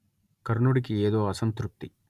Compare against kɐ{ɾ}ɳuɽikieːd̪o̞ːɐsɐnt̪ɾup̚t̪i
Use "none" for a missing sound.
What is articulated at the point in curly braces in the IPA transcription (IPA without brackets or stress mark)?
ɾ